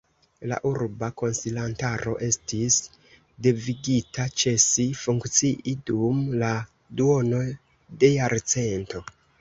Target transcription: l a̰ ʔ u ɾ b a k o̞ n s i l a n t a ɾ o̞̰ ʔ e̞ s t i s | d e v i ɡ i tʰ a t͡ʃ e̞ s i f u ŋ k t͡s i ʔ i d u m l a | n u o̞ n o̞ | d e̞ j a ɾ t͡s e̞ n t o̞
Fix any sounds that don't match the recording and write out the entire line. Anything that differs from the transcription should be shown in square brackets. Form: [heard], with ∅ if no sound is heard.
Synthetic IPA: l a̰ ʔ u ɾ b a k o̞ n s i l a n t a ɾ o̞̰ ʔ e̞ s t i s | d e v i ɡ i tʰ a t͡ʃ e̞ s i f u ŋ k t͡s i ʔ i d u m l a | [d] u o̞ n o̞ | d e̞ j a ɾ t͡s e̞ n t o̞